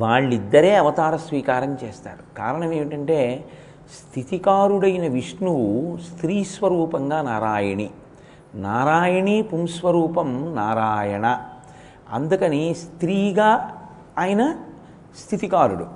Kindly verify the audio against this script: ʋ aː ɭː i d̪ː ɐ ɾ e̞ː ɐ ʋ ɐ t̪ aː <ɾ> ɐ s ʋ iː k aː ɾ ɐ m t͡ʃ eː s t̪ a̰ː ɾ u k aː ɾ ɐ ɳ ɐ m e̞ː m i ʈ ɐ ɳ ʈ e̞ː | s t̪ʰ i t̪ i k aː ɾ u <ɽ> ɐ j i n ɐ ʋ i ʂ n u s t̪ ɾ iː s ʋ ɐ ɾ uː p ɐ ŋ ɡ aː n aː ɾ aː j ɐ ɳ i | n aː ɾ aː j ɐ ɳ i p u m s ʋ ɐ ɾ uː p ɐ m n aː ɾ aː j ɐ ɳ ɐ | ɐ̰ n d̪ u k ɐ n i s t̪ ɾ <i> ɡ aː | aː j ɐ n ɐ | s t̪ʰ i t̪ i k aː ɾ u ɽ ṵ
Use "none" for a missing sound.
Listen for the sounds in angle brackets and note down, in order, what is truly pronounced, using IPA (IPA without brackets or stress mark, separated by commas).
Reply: ɾ, ɽ, iː